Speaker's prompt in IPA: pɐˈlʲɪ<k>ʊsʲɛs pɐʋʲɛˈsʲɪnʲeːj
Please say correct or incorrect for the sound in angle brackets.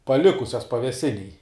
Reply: correct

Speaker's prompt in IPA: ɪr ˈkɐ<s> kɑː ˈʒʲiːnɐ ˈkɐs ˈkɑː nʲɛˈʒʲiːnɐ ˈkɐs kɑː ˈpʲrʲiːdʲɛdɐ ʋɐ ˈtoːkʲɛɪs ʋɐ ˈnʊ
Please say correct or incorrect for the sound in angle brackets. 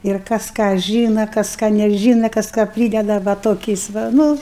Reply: correct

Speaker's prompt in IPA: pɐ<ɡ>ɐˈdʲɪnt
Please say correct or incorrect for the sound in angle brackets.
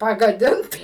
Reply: correct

